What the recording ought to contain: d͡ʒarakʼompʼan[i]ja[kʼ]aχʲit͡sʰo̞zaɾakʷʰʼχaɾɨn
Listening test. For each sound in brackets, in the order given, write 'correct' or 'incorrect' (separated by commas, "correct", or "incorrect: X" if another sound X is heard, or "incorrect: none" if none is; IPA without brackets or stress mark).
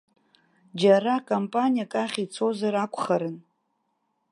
correct, correct